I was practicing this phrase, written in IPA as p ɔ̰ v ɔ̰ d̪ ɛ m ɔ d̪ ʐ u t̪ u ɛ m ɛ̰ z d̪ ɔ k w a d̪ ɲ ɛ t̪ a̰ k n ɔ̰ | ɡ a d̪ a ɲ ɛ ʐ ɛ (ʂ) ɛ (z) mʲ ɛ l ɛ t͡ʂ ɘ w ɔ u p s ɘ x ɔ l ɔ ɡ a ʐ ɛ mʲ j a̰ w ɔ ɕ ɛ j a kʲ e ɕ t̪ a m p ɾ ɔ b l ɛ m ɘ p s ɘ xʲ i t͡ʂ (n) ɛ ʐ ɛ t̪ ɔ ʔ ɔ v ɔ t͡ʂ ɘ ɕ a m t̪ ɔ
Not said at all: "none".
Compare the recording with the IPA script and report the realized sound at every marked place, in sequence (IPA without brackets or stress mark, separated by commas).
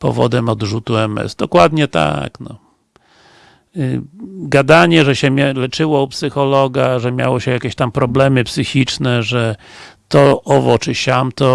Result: ɕ, none, n